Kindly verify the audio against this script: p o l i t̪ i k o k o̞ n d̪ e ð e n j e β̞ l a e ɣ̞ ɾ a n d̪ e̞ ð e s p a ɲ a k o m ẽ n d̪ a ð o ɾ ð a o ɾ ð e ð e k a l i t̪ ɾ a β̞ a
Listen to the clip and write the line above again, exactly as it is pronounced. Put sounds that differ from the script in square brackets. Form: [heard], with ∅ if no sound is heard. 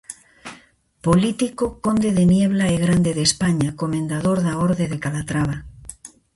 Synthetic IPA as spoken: p o l i t̪ i k o k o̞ n d̪ e ð e n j e β̞ l a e ɣ̞ ɾ a n d̪ e̞ ð e s p a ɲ a k o m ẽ n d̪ a ð o ɾ ð a o ɾ ð e ð e k a l [a] t̪ ɾ a β̞ a